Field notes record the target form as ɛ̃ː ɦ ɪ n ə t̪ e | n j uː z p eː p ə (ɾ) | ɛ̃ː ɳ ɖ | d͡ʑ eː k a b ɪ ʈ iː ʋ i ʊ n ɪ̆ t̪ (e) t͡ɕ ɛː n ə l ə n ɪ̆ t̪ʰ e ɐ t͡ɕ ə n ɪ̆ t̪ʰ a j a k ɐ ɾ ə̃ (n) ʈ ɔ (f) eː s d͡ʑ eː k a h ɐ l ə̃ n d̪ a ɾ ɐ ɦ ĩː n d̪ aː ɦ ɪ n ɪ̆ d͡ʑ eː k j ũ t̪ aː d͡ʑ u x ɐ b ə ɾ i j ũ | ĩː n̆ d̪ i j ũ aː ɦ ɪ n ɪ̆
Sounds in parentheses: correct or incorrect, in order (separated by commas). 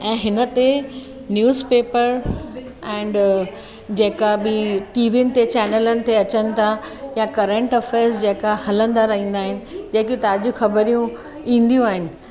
correct, correct, incorrect, correct